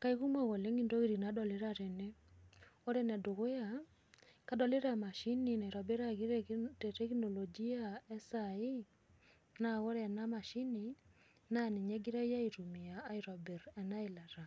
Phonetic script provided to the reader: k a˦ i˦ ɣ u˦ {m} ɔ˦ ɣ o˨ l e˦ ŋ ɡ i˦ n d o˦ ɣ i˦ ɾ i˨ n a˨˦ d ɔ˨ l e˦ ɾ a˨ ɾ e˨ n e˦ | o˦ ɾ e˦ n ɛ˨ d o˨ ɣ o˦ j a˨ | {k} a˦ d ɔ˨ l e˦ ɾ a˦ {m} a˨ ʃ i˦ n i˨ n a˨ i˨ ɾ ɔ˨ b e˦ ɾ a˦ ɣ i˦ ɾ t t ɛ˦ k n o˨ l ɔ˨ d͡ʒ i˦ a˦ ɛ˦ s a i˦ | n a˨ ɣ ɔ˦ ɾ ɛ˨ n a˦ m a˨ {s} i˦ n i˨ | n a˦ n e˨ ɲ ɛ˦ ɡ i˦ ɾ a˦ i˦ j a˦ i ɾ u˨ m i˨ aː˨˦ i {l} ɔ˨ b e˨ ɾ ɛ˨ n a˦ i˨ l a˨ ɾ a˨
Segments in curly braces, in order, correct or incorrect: correct, correct, correct, incorrect: ʃ, incorrect: ɾ

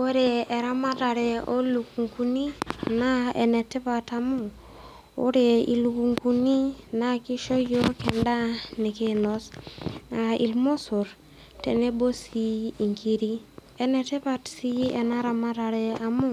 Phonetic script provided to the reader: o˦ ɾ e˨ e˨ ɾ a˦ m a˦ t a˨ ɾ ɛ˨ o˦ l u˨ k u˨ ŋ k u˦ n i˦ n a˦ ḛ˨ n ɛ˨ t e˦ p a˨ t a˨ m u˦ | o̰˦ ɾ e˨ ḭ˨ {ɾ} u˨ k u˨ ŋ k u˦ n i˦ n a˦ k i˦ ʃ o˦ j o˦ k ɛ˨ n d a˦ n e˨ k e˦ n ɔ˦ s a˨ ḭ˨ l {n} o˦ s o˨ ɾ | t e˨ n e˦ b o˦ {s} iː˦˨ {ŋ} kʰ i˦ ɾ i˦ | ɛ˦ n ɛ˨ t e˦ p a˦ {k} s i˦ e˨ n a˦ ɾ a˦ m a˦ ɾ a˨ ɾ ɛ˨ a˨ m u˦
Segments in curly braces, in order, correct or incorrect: incorrect: l, incorrect: m, correct, correct, incorrect: t

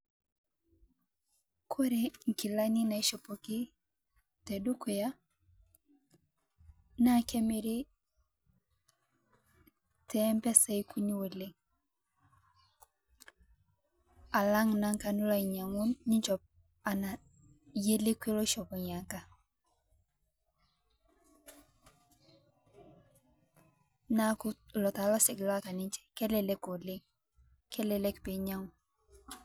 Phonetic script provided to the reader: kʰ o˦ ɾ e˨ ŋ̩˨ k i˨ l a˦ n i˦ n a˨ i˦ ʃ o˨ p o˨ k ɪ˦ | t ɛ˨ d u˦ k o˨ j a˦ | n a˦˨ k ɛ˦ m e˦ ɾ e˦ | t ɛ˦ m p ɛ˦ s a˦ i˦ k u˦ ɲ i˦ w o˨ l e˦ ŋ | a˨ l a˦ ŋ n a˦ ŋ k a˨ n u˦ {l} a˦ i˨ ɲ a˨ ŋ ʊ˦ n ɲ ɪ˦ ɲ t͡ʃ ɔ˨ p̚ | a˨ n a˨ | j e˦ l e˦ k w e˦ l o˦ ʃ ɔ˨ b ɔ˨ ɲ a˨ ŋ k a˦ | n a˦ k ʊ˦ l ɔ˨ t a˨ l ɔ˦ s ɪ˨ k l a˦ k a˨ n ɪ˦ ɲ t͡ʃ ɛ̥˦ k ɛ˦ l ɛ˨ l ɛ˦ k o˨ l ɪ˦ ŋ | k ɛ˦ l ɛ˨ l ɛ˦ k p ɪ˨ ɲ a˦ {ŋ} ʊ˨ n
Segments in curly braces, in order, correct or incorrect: correct, correct

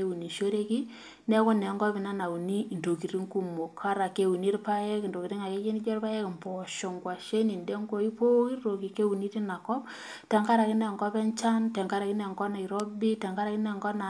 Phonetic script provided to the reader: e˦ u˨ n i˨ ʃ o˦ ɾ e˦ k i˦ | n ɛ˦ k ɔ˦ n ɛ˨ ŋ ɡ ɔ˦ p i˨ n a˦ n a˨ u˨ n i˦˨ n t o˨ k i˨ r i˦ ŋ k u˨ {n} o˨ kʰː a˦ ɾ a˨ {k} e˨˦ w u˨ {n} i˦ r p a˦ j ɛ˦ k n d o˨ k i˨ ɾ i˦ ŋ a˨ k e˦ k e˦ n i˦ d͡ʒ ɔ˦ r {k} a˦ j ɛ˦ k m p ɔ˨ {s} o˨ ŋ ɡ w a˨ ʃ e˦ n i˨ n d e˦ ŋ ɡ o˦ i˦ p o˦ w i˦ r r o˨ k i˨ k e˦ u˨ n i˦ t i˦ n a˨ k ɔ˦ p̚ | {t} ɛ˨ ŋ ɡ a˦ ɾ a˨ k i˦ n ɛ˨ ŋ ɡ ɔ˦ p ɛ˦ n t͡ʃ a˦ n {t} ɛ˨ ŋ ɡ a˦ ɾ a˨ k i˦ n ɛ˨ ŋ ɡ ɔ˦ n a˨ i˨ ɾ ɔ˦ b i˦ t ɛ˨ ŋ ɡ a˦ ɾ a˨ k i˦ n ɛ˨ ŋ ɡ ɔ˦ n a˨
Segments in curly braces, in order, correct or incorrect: incorrect: m, correct, correct, incorrect: p, incorrect: ʃ, correct, correct

